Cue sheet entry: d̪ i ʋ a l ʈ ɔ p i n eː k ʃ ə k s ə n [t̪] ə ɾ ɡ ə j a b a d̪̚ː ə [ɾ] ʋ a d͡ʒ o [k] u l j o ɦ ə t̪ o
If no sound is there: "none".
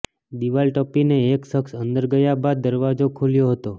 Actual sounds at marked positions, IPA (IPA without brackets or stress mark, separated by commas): d̪, ɾ, kʰ